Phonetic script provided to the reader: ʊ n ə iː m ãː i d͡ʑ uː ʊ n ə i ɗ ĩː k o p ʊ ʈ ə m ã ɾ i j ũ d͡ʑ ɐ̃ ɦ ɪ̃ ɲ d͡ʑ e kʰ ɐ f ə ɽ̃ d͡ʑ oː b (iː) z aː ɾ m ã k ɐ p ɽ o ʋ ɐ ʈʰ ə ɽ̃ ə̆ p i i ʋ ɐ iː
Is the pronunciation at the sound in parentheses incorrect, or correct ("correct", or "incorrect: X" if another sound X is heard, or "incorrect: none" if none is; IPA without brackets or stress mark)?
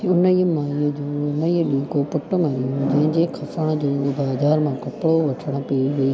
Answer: incorrect: aː